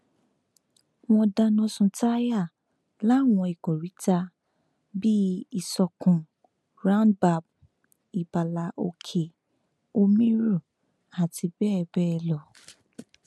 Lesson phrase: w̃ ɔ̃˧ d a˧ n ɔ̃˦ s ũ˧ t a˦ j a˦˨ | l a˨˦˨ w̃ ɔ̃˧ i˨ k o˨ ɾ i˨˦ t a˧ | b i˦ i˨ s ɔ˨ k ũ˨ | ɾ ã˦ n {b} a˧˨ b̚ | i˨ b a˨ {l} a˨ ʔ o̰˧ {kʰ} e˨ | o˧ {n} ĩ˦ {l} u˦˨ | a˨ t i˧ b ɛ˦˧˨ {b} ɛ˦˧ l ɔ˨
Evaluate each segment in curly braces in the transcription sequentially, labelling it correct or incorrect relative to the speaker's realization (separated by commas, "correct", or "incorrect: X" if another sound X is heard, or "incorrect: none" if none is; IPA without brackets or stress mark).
correct, correct, correct, incorrect: m, incorrect: ɾ, correct